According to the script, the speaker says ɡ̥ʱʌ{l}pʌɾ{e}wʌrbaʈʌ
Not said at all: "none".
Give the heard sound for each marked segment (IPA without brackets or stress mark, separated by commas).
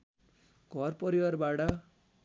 r, i